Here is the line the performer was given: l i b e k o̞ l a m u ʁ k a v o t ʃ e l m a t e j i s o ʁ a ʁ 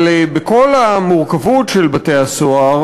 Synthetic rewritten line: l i b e k o̞ l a m u ʁ k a v u t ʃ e l b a t e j a s o a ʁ